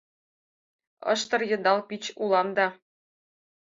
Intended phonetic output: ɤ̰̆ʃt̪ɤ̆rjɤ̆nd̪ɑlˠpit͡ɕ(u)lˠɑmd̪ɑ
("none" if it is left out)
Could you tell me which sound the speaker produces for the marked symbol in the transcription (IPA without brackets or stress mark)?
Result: u